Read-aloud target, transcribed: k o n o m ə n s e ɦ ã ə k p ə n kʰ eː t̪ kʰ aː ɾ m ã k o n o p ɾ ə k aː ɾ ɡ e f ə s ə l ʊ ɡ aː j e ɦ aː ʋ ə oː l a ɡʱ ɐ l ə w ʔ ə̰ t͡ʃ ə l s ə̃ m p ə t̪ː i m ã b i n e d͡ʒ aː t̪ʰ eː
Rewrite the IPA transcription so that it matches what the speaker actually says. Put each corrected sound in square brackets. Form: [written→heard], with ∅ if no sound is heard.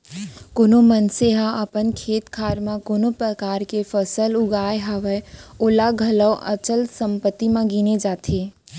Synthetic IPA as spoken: k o n o m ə n s e ɦ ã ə [k→∅] p ə n kʰ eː t̪ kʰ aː ɾ m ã k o n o p ɾ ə k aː ɾ [ɡ→k] e f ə s ə l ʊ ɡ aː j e ɦ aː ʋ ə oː l a ɡʱ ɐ l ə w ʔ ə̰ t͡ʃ ə l s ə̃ m p ə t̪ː i m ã [b→ɡ] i n e d͡ʒ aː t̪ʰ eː